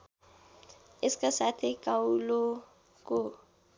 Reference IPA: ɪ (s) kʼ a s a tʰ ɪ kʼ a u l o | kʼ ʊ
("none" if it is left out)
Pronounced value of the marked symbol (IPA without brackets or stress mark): s